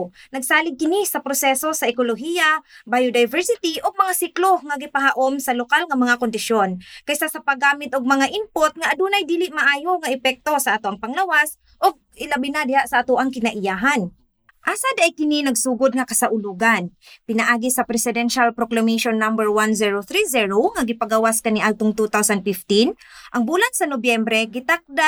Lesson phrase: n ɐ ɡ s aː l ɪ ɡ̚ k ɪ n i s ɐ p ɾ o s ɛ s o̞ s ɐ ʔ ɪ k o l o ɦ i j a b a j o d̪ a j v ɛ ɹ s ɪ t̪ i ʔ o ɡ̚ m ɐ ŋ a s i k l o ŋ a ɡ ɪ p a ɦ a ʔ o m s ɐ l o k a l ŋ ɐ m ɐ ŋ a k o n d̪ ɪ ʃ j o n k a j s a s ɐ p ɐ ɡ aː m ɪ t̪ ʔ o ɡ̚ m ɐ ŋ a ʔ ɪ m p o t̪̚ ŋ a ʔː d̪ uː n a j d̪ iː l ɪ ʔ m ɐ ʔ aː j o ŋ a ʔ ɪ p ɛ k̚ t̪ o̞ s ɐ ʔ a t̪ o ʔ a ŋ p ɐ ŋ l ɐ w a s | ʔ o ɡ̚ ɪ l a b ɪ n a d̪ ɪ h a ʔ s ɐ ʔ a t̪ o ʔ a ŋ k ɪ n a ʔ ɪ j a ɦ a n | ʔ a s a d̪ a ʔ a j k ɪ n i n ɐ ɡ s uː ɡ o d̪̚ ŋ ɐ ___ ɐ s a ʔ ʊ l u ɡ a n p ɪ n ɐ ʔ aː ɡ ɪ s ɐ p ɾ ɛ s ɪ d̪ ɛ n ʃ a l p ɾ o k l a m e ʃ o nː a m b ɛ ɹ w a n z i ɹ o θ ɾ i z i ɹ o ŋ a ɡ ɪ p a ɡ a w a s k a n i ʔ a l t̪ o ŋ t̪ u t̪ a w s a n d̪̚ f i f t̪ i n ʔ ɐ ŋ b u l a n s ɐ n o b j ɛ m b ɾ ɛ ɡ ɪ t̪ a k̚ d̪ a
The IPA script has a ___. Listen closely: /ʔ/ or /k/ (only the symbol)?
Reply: k